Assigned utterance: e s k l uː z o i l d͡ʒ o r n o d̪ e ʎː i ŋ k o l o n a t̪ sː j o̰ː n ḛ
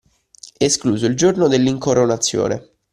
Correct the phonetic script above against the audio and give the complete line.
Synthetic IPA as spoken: e s k l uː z o i l d͡ʒ o r n o d̪ e lː i ŋ k o ɾ o n a t̪ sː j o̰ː n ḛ